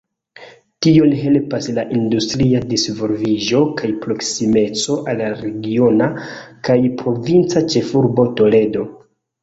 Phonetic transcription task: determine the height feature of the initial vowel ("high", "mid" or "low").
high